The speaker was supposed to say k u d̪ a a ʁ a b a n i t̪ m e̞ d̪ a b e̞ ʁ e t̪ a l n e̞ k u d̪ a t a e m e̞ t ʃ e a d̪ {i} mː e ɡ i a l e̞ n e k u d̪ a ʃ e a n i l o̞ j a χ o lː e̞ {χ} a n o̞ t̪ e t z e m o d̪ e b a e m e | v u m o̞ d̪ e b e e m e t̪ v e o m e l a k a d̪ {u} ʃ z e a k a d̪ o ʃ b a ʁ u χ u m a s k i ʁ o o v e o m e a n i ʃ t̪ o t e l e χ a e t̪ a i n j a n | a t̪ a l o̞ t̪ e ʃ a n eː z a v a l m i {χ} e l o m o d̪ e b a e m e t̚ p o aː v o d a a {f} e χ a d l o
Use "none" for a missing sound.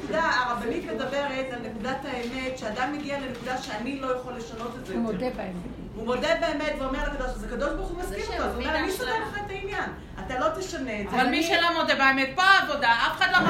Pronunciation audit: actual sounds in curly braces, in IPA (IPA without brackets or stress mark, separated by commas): a, ʃ, o, ʃ, f